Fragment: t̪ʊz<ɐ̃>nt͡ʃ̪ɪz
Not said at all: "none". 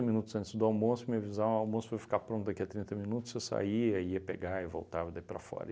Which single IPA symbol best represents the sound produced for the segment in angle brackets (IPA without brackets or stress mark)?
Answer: ɐ̃